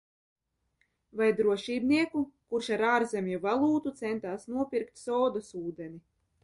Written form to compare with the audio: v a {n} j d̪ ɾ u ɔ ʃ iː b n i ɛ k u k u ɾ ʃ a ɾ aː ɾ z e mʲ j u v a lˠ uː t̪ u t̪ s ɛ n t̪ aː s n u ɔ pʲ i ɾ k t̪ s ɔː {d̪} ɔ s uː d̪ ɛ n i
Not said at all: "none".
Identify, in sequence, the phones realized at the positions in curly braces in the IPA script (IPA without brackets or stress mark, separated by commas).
none, d̪